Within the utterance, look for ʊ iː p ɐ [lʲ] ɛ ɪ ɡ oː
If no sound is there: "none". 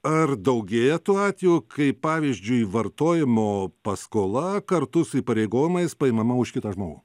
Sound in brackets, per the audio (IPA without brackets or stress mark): ɾʲ